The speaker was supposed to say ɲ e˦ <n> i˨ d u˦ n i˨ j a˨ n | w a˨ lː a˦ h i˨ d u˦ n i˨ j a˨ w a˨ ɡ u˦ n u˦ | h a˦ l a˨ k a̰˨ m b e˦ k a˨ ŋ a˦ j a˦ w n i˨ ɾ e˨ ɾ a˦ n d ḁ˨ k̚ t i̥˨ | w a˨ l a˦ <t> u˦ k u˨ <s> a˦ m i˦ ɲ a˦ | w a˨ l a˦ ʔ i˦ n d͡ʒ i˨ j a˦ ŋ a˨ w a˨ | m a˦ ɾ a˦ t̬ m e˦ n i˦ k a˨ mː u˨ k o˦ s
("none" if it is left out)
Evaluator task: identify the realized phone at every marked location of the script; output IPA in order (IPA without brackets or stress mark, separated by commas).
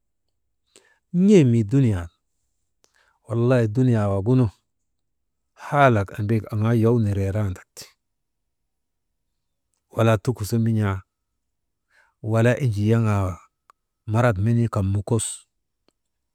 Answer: m, t, s